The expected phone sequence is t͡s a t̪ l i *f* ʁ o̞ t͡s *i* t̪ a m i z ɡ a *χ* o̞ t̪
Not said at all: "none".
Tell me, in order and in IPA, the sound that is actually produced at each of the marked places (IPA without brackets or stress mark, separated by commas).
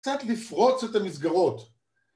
f, e, ʁ